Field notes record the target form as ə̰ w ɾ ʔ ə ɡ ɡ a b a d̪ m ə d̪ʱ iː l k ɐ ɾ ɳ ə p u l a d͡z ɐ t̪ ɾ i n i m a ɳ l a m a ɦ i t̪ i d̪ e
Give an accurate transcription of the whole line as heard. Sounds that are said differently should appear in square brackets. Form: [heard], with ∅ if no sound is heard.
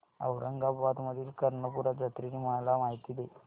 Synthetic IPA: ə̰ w ɾ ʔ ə [ŋ] ɡ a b a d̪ m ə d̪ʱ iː l k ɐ ɾ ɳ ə p u [ɾ] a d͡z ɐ t̪ ɾ i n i m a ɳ l a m a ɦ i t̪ i d̪ e